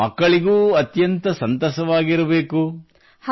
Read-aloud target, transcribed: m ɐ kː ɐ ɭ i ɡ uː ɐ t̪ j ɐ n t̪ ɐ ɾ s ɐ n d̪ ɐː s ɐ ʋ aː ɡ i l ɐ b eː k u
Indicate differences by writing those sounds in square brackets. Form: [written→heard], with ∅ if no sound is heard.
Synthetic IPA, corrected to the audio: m ɐ kː ɐ ɭ i ɡ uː ɐ t̪ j ɐ n t̪ ɐ [ɾ→∅] s ɐ n [d̪→t̪] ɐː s ɐ ʋ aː ɡ i [l→ɾ] ɐ b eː k u